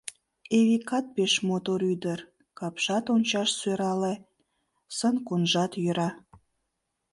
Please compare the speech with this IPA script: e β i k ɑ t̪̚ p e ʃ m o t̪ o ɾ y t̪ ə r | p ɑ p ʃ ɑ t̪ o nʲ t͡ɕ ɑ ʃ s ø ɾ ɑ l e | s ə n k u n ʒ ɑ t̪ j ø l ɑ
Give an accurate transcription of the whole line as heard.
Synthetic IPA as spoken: e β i k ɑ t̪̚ p e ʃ m o t̪ o ɾ y d̪ ə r | k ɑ p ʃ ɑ t̪ o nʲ t͡ɕ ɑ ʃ s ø ɾ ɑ l e | s ə n k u n ʒ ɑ t̪ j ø ɾ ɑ